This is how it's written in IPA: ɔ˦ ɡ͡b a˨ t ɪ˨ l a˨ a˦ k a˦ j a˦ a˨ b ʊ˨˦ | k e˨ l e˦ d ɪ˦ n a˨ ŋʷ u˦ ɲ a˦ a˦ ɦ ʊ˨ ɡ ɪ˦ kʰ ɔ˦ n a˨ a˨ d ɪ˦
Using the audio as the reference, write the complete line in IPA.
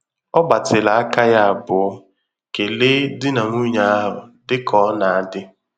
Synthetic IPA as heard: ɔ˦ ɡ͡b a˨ t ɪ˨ l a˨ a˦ k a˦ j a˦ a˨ b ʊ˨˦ | k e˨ l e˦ d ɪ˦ n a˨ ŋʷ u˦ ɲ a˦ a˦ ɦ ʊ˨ d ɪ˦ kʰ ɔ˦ n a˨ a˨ d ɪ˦